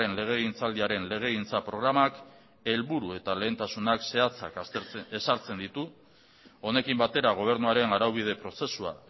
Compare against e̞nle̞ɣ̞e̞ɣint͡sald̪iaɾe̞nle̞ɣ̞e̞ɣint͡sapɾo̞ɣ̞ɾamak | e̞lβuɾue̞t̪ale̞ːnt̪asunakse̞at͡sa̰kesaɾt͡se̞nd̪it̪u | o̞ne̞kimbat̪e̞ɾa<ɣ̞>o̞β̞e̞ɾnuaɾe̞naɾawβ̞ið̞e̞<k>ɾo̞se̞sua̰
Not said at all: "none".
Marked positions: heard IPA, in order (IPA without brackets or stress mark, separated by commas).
ɣ̞, p